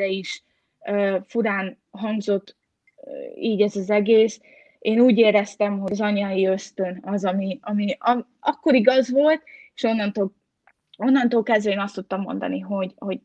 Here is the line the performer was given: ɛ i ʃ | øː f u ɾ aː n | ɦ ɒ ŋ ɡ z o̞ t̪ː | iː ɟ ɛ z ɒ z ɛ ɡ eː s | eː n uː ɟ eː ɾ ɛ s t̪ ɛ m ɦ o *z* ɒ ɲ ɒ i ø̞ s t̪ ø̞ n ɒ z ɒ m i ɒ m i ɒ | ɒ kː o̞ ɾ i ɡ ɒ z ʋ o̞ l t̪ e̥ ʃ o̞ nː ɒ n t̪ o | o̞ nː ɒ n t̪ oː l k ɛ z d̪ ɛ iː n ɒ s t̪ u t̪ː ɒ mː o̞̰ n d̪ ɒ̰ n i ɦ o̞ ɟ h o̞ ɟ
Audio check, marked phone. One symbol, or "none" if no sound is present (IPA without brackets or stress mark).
z